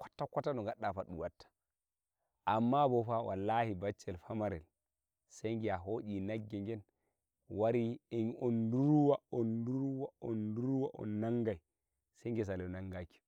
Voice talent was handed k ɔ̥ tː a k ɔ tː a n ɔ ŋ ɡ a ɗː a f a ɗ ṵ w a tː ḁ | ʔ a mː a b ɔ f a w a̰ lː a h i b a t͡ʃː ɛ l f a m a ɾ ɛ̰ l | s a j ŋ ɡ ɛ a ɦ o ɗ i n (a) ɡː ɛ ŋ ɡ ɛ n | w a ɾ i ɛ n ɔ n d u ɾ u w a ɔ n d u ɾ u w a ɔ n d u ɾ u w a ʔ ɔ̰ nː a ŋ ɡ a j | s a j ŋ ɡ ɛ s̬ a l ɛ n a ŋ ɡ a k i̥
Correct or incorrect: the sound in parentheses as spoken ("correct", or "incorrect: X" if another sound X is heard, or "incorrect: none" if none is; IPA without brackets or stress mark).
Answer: correct